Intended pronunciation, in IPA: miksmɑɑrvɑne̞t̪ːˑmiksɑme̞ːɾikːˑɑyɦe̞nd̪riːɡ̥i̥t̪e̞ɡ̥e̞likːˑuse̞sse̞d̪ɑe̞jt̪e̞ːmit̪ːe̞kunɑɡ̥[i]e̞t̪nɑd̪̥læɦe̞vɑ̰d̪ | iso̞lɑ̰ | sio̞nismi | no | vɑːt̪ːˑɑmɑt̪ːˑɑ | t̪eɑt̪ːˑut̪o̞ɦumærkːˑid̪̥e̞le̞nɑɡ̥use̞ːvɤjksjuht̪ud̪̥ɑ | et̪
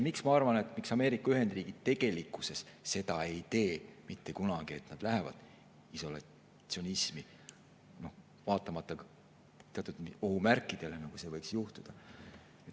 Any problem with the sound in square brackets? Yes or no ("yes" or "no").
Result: no